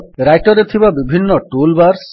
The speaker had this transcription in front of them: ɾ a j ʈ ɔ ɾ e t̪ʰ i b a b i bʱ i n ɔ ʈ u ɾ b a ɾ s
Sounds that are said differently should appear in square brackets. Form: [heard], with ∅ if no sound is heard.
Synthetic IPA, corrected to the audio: ɾ a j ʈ ɔ ɾ e t̪ʰ i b a b i bʱ i [nː] ɔ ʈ u [l] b a ɾ s